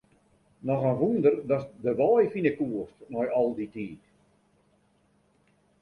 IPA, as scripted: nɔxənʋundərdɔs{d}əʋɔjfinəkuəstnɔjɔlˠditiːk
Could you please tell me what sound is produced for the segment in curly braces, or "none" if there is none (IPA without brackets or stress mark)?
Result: d